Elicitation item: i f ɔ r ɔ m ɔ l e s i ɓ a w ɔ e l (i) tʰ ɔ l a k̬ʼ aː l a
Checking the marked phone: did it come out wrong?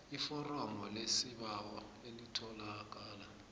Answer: no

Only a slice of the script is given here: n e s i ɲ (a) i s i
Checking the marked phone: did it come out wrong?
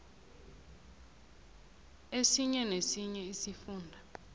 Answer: yes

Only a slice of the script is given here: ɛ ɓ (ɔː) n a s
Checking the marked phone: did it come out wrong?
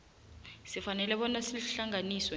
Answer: yes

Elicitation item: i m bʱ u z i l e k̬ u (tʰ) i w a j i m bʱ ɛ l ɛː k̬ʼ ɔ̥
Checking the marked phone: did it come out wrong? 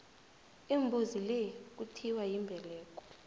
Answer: no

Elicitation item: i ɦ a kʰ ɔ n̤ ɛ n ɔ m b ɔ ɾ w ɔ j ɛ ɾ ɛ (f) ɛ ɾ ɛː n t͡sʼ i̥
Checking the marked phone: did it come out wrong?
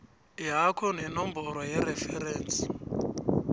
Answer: no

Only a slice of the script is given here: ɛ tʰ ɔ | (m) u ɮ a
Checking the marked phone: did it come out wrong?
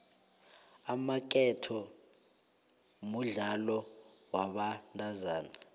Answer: no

